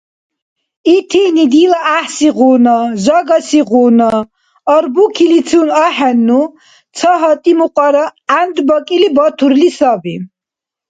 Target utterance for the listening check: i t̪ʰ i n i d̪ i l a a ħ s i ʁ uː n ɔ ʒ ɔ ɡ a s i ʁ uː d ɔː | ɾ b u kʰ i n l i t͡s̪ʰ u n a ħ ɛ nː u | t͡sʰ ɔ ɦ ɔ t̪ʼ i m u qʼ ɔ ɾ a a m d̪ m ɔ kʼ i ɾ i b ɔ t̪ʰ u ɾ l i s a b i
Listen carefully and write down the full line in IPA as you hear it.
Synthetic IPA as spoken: i t̪ʰ i n i d̪ i l a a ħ s i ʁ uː n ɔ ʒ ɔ ɡ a s i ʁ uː n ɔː | ɾ b u kʰ i l i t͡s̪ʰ u n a ħ ɛ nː u | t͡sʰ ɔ ɦ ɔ t̪ʼ i m u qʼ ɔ ɾ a a n d̪ b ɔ kʼ i l i b ɔ t̪ʰ u ɾ l i s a b i